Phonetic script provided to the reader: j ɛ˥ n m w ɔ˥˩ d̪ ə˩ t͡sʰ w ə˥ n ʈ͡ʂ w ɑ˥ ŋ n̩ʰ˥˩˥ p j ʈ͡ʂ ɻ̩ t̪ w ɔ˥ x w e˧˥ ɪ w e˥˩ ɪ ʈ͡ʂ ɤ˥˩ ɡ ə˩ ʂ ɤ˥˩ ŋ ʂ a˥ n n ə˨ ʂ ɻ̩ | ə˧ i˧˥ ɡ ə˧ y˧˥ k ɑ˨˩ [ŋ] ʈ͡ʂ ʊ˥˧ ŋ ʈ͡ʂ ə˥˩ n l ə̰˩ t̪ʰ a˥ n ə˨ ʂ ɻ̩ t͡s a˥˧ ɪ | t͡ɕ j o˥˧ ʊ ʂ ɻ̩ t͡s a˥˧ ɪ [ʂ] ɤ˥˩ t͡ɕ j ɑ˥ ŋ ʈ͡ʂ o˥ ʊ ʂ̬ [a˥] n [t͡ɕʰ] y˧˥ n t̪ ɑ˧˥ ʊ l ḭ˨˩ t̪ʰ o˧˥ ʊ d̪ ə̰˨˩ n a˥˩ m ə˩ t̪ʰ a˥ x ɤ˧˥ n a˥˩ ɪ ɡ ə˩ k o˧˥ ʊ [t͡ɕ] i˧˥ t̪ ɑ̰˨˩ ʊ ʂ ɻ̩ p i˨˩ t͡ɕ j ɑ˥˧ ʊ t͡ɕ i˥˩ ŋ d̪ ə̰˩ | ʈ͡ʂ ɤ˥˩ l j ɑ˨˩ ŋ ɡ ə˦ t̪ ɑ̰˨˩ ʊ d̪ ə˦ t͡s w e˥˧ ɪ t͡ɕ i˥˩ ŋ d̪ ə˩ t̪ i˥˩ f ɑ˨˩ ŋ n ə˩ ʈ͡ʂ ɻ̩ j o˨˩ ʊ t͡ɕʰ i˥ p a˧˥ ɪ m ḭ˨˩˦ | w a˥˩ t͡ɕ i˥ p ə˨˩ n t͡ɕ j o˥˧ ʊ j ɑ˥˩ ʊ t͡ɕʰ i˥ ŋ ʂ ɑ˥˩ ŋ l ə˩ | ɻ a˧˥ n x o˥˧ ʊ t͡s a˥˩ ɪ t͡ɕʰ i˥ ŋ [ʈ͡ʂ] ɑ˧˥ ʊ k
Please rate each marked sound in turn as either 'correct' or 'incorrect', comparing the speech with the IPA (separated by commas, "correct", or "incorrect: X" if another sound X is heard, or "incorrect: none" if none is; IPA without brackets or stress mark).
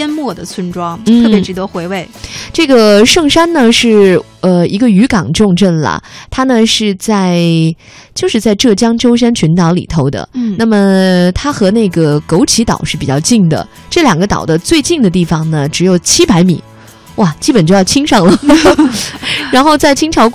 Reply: correct, incorrect: ʈ͡ʂ, correct, correct, incorrect: t͡ɕʰ, incorrect: ʈ͡ʂʰ